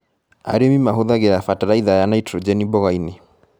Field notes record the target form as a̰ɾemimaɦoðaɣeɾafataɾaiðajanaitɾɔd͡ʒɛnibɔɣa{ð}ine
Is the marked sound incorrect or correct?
incorrect